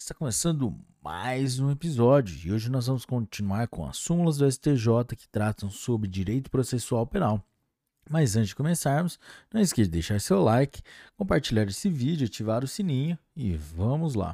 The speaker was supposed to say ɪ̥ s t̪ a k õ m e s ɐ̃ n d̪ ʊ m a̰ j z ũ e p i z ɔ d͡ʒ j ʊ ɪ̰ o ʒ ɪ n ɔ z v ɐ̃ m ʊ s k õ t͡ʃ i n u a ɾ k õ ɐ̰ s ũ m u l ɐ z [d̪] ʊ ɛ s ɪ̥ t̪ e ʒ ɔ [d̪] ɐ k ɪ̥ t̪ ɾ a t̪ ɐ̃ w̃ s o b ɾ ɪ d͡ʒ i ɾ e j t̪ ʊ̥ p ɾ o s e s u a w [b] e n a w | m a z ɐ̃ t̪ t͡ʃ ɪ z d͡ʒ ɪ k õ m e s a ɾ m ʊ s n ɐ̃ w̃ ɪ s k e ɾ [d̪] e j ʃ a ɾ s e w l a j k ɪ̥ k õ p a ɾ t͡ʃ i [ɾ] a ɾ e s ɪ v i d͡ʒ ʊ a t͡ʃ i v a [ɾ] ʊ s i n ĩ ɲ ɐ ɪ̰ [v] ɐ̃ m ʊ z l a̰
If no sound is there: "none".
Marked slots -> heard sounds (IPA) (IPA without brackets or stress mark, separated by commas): d̪, t̪, p, d̪, ʎ, ɾ, v